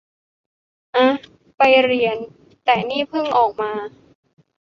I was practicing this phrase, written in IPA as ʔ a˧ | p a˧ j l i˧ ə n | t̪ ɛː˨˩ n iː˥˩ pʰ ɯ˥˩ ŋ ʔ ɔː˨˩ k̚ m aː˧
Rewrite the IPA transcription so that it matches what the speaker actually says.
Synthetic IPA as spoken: ʔ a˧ | p a˧ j ɾ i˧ ə n | t̪ ɛː˨˩ n iː˥˩ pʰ ɯ˥˩ ŋ ʔ ɔː˨˩ k̚ m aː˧